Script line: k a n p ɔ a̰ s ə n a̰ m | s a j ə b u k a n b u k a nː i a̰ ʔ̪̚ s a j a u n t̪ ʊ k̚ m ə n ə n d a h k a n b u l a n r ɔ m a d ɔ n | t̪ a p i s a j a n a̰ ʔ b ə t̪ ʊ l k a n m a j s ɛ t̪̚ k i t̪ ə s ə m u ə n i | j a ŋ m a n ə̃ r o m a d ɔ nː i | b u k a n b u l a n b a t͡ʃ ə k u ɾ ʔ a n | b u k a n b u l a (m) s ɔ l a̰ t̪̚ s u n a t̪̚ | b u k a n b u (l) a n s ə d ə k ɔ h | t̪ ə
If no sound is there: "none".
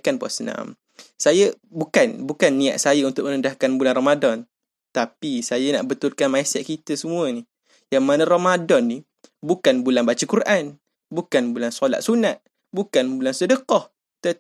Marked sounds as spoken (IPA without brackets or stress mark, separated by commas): n, l